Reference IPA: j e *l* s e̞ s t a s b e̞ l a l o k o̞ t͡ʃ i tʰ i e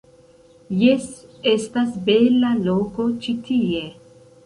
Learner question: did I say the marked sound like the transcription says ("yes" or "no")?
no